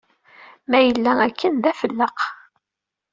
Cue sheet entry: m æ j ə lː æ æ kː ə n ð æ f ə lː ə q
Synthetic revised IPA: m æ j ə lː æ æ kː ə n ð æ f ə lː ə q